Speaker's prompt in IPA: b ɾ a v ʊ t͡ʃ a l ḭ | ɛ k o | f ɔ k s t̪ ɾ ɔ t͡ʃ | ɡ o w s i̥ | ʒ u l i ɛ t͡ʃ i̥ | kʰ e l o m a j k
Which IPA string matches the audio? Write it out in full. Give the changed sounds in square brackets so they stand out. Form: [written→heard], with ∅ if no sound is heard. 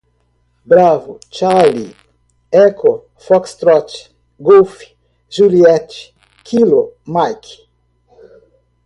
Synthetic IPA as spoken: b ɾ a v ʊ t͡ʃ a l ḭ | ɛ k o | f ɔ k s t̪ ɾ ɔ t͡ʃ | ɡ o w [s→f] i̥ | ʒ u l i ɛ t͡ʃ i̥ | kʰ [e→i] l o m a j k